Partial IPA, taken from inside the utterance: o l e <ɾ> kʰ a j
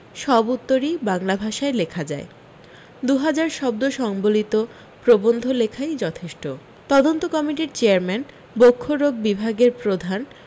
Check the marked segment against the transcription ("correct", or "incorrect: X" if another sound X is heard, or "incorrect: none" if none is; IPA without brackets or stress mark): incorrect: none